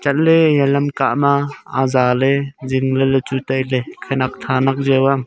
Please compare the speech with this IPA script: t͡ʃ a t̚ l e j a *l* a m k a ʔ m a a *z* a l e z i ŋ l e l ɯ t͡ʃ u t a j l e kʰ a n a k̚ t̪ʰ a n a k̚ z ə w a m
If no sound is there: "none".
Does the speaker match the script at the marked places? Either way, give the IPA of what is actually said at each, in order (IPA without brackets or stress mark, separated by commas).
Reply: l, z